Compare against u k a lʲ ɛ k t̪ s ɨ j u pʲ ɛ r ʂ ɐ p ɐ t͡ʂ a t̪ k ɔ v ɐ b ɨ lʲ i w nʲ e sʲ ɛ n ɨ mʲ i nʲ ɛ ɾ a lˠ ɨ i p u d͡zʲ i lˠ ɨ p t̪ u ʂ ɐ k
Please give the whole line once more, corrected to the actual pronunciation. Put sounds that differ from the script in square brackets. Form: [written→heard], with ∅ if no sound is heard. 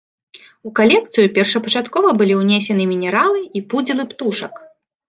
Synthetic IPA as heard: u k a lʲ ɛ k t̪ s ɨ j u pʲ ɛ r ʂ ɐ p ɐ t͡ʂ a t̪ k ɔ v ɐ b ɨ lʲ i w nʲ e sʲ ɛ n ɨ mʲ i nʲ ɛ ɾ a lˠ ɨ i p u d͡zʲ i lˠ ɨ p t̪ u ʂ ɐ k